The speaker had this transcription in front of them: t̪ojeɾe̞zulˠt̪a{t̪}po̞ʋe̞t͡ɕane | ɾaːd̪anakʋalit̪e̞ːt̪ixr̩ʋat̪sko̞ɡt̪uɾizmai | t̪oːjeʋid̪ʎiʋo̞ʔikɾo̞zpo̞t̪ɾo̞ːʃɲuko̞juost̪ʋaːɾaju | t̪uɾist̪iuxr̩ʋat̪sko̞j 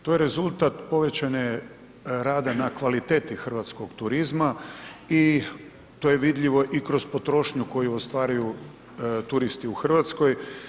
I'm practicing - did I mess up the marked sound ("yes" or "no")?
no